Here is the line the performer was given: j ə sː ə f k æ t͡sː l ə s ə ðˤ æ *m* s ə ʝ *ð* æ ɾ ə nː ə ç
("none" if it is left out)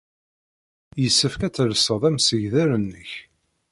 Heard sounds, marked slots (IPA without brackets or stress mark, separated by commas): m, ð